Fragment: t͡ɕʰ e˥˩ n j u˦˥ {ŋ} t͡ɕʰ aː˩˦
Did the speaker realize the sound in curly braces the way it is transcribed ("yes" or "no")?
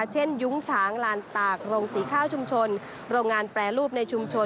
yes